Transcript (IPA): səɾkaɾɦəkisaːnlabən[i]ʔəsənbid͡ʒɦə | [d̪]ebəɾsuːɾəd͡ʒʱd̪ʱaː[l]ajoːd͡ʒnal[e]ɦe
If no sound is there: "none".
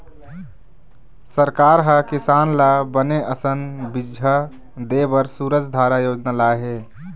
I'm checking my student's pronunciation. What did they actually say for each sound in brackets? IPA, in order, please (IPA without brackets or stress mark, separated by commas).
e, d̪, ɾ, a